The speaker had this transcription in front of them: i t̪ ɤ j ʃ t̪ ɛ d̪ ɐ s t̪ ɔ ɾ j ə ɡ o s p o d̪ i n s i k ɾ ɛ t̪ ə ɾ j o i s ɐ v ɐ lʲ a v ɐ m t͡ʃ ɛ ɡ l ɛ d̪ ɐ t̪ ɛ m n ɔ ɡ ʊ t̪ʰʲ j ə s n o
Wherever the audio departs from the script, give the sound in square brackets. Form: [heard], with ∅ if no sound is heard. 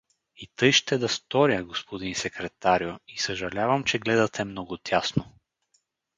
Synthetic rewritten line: i t̪ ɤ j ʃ t̪ ɛ d̪ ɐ s t̪ ɔ ɾ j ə ɡ o s p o d̪ i n s [ɛ] k ɾ ɛ t̪ [a] ɾ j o i s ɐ [ʒ] ɐ lʲ a v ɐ m t͡ʃ ɛ ɡ l ɛ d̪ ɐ t̪ ɛ m n ɔ ɡ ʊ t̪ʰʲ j [a] s n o